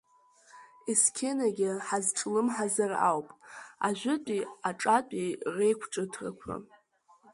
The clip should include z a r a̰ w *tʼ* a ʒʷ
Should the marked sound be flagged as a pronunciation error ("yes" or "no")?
yes